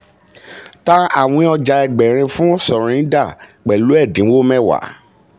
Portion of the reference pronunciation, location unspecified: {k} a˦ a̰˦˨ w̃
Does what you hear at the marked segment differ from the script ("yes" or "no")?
yes